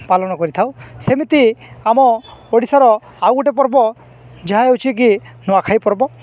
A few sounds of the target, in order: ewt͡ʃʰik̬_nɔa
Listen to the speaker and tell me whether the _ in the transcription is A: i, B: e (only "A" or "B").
A